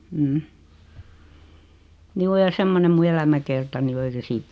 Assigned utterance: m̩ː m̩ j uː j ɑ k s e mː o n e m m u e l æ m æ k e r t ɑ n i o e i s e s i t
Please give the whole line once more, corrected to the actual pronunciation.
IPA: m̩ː m̩ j uː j ɑ s e mː o n e m m u e l æ m æ k e r t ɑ n i o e i s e s iː t